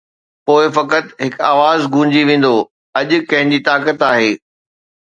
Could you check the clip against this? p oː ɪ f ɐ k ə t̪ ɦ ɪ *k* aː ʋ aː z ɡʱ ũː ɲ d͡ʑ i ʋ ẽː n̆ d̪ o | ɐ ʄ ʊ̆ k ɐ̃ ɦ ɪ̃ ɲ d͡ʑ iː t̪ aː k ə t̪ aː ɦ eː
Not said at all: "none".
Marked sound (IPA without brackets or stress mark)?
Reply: k